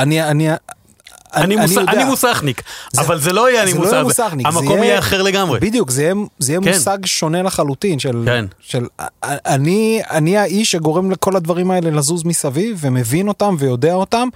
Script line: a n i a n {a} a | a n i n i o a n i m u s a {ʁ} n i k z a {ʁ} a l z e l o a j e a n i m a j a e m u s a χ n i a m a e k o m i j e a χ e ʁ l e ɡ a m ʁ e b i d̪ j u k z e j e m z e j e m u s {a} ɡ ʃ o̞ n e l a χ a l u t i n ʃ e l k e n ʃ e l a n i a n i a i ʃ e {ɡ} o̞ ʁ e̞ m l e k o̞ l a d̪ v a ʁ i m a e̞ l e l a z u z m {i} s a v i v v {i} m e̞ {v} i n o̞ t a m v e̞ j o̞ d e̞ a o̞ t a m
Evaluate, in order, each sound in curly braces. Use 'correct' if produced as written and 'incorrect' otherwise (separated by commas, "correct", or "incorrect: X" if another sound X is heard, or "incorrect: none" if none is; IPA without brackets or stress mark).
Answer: incorrect: i, incorrect: χ, incorrect: v, correct, correct, correct, incorrect: e, correct